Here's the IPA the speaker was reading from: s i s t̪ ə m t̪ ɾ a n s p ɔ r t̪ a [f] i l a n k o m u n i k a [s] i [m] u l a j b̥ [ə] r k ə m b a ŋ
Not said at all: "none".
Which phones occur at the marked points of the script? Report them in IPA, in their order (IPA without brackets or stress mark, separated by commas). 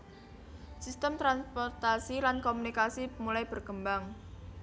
s, s, m, ə